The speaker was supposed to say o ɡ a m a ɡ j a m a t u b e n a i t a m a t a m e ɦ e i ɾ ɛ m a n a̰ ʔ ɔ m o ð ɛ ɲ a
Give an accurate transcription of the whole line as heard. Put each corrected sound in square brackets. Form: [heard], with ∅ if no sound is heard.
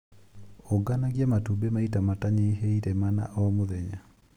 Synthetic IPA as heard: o ɡ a [n] a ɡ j a m a t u b e [m] a i t a m a t a [ɲ] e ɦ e i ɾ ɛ m a n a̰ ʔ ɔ m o ð ɛ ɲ a

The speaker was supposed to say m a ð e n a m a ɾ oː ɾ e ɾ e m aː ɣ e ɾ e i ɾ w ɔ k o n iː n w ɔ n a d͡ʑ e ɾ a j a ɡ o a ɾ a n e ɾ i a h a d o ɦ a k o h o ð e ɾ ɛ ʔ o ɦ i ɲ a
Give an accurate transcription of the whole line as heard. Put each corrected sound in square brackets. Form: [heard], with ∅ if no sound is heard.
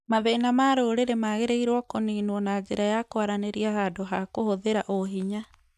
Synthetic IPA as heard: m a ð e n a m a ɾ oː ɾ e ɾ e m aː ɣ e ɾ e i ɾ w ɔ k o n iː n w ɔ n a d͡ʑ e ɾ a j a [k] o a ɾ a n e ɾ i a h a d o ɦ a k o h o ð e ɾ [a] ʔ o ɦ i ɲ a

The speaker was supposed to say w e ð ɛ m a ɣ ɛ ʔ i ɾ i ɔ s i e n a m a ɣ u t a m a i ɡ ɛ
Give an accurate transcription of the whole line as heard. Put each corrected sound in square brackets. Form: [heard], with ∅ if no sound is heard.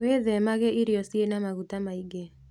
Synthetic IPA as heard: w e ð ɛ m a ɣ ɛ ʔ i ɾ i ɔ s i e n a m a ɣ u t a m a i ɡ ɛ

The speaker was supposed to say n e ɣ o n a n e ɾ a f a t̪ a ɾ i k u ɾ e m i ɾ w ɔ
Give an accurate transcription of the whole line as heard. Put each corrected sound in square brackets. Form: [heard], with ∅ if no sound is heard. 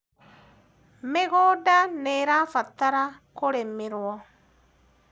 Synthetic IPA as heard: [m] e ɣ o [d] a n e ɾ a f a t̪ a ɾ [a] k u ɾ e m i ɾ w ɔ

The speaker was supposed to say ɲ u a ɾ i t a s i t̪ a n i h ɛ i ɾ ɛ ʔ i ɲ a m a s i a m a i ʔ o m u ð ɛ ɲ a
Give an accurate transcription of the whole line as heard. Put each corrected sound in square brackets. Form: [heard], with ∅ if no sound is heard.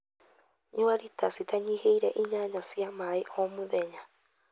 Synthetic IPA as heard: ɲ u a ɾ i t a s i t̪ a [ɲ] i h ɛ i ɾ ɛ ʔ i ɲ a [ɲ] a s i a m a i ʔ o m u ð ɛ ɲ a

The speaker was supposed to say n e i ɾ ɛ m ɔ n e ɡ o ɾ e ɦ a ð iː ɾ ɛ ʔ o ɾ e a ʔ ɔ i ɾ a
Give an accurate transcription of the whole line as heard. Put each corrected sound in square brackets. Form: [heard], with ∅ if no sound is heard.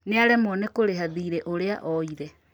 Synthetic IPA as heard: n e [a] ɾ ɛ m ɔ n e [k] o ɾ e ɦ a ð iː ɾ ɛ ʔ o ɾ e a ʔ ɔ i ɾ [ɛ]

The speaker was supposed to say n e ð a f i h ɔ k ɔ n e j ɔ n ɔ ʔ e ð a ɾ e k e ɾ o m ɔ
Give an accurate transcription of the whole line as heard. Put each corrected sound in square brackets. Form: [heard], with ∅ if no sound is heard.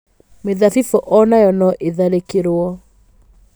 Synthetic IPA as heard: [m] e ð a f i [f] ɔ [ʔ] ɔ n [a] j ɔ n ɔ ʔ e ð a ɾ e k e ɾ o [∅] ɔ

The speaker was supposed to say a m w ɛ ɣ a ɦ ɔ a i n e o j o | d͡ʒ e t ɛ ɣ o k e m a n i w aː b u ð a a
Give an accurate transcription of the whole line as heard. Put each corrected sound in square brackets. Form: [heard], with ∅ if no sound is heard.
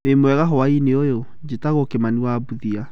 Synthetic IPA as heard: [e] m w ɛ ɣ a ɦ ɔ a i n e o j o | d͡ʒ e t [a] ɣ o k e m a n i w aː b u ð [i] a

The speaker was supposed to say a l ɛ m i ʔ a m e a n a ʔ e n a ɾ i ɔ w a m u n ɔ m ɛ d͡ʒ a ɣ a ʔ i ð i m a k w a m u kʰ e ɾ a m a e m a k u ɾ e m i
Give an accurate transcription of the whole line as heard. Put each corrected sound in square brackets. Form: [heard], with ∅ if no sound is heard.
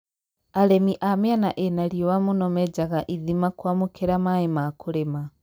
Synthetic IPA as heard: a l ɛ m i ʔ a m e a n a ʔ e n a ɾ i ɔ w a m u n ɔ m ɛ d͡ʒ a ɣ a ʔ i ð i m a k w a m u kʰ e ɾ a m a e m a k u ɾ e m [a]

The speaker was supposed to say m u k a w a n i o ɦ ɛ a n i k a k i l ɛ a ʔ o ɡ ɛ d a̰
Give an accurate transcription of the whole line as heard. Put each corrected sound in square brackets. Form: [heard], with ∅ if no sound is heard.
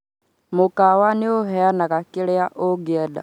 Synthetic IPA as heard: m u k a w a n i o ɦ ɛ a n [a] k a k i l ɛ a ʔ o ɡ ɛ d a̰

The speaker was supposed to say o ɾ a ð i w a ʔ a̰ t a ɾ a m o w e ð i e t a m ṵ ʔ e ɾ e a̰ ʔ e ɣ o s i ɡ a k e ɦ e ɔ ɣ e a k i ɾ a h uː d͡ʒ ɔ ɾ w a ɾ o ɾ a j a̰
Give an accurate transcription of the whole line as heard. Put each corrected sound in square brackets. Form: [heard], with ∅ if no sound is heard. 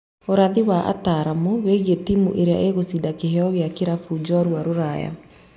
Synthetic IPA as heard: o ɾ a ð i w a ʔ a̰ t a ɾ a m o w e [ɣ] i e t [i] m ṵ ʔ e ɾ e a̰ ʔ e ɣ o s i [d] a k e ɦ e ɔ ɣ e a k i ɾ a [f] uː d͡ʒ ɔ ɾ w a ɾ o ɾ a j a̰

